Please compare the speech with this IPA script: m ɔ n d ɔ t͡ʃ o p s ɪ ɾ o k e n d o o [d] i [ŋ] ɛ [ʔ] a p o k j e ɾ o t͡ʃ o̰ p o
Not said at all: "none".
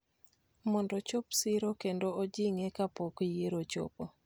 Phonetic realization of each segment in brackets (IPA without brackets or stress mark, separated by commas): d͡ʒ, ŋ, k